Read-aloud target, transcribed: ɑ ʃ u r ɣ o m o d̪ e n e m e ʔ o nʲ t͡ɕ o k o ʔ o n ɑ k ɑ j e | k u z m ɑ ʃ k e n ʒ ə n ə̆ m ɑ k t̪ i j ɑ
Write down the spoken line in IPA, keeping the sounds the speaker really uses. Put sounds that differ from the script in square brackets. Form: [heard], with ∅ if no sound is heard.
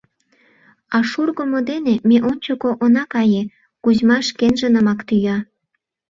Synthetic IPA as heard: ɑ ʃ u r ɣ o m o d̪ e n e m e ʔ o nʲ t͡ɕ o k o ʔ o n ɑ k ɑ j e | k u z m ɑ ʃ k e n ʒ ə n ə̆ m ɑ k t̪ [y] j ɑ